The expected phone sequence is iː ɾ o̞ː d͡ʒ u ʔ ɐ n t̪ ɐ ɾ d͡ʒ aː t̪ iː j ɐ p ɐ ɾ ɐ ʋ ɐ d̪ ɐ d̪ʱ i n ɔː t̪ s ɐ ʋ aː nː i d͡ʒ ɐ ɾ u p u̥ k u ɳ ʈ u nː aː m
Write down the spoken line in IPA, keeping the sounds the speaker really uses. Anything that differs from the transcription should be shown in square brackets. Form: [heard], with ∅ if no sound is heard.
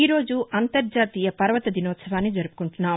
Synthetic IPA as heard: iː ɾ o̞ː d͡ʒ u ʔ ɐ n t̪ ɐ ɾ d͡ʒ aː t̪ iː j ɐ p ɐ ɾ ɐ ʋ ɐ [t̪] ɐ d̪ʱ i n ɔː t̪ s ɐ ʋ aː nː i d͡ʒ ɐ ɾ u p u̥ k u ɳ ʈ u nː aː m